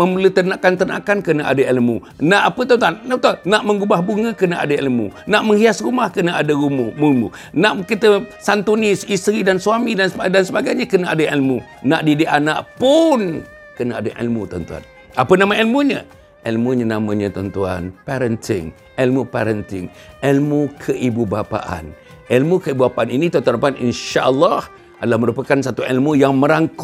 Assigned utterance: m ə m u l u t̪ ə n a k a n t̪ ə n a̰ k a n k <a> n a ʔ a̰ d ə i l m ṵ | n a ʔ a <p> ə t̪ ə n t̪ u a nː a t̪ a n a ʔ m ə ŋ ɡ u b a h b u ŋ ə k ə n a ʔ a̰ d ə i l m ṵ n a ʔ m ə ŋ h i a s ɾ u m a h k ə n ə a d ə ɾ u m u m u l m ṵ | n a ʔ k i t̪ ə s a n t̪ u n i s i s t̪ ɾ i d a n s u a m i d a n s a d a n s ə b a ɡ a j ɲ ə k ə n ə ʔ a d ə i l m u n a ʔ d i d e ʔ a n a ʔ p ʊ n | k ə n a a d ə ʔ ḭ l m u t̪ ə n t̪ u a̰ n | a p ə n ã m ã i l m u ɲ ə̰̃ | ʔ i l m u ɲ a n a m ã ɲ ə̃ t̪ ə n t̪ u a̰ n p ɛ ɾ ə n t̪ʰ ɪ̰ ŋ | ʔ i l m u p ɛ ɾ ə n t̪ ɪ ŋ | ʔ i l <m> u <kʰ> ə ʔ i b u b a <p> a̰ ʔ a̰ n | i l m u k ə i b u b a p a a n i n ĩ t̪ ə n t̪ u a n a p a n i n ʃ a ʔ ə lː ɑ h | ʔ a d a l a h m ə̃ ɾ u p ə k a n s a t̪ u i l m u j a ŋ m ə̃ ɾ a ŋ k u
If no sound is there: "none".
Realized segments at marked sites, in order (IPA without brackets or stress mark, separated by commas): ə, p, m, kʰ, p